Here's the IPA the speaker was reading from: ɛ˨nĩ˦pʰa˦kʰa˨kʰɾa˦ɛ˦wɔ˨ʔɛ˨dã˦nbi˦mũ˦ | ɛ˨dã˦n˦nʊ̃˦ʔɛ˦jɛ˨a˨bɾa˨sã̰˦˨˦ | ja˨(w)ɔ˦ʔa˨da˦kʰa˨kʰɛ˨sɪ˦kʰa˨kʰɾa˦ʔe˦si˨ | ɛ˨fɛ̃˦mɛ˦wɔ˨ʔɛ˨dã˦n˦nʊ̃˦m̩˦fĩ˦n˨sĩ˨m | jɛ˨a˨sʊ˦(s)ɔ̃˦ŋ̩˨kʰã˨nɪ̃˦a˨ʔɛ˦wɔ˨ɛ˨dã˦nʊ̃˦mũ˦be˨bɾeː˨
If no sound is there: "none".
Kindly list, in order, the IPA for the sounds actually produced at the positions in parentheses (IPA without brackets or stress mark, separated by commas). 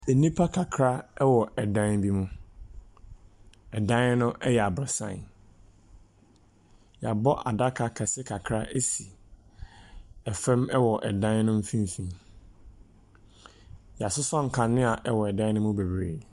b, s